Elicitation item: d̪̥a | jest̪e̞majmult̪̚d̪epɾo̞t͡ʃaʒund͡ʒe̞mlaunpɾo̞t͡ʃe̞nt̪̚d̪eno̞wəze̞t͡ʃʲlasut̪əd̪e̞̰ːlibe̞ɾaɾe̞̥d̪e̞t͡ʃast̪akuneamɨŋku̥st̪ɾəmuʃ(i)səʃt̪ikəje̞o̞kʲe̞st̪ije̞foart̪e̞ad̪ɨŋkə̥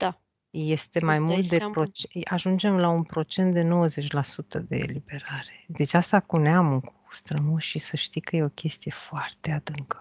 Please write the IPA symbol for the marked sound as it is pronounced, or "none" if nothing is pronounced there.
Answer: i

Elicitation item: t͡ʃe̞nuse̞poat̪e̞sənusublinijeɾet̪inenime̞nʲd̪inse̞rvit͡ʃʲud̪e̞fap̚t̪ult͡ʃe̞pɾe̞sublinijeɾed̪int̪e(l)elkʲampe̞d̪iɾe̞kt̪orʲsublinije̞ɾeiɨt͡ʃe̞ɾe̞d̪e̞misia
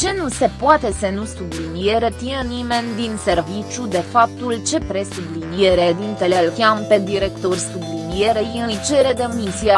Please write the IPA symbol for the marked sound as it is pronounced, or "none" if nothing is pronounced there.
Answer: l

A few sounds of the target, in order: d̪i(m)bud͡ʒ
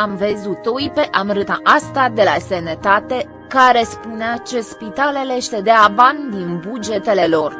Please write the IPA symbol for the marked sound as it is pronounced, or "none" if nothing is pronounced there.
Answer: n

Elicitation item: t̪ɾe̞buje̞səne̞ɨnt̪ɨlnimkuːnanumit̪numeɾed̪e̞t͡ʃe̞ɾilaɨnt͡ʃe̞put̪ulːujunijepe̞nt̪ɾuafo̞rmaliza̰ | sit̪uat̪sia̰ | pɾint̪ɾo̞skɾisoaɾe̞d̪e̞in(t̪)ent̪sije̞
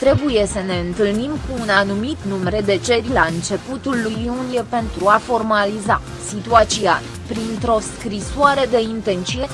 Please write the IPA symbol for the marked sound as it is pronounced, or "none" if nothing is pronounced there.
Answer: t̪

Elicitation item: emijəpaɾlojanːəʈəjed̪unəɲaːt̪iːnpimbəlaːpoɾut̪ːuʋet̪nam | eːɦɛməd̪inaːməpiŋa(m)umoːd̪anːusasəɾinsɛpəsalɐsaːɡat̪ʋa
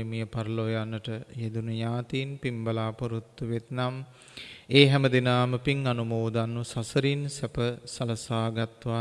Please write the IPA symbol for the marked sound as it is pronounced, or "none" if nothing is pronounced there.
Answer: n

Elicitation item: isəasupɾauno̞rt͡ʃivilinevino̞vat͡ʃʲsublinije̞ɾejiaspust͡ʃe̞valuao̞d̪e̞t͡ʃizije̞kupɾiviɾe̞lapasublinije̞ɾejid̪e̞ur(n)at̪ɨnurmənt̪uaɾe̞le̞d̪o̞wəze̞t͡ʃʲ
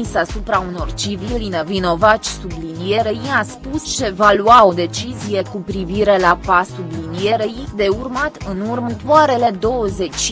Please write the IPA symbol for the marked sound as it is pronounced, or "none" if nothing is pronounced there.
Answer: m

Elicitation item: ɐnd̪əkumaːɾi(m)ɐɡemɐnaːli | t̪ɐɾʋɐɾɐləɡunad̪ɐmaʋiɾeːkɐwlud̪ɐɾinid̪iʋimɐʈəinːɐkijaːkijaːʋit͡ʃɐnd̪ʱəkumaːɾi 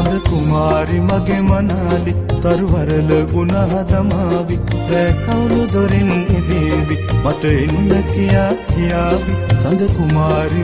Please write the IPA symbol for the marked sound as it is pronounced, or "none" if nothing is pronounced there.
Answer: m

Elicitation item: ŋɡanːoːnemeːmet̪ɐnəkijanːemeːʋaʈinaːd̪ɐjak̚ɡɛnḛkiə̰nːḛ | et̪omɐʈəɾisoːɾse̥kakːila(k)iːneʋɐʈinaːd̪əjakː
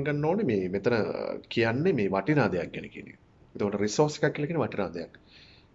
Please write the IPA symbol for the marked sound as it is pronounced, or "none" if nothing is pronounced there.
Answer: k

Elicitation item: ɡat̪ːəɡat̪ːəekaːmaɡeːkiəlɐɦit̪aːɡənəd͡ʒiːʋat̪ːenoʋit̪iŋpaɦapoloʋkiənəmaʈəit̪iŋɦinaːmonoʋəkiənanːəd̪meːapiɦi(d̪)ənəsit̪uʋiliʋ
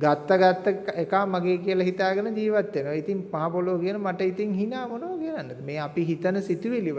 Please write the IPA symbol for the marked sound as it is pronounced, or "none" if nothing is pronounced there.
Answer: t̪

